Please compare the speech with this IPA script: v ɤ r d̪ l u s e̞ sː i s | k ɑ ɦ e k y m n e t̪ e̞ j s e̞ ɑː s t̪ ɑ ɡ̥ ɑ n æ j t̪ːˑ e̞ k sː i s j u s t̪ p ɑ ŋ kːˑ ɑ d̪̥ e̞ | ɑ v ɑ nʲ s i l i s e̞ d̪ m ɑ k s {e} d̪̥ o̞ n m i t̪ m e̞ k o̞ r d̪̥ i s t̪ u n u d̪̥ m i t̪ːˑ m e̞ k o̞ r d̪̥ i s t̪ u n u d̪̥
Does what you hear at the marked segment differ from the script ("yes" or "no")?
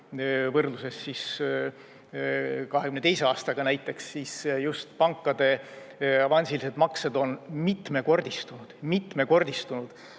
no